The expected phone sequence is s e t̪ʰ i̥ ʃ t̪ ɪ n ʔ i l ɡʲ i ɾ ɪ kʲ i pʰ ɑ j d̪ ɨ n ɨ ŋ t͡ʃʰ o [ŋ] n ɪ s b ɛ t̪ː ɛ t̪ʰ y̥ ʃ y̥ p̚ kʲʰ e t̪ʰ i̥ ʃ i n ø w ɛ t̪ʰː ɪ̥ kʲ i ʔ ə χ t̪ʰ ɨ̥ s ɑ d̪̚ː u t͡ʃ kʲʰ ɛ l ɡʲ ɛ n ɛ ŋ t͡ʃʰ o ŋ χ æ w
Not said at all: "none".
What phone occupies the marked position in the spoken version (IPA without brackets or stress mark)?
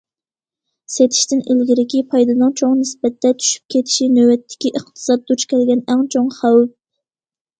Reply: ŋ